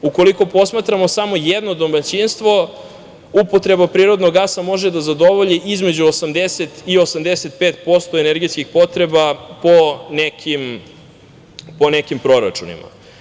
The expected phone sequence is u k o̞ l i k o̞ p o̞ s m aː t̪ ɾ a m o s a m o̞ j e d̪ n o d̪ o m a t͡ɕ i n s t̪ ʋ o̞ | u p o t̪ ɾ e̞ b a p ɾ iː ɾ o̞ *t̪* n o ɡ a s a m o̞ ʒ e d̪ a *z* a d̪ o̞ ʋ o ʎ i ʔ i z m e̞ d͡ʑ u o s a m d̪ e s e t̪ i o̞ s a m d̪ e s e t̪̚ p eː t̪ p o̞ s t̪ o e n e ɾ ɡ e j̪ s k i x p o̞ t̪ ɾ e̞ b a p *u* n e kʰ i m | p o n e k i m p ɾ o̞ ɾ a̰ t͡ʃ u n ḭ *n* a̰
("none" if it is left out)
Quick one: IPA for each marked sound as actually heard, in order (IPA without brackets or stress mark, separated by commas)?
d̪, z, o, m